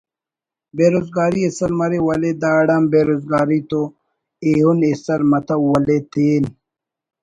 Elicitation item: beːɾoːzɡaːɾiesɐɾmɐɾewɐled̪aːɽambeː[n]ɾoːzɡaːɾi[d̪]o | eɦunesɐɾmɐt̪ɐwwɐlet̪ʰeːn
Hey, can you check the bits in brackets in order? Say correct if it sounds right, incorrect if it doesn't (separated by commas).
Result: incorrect, incorrect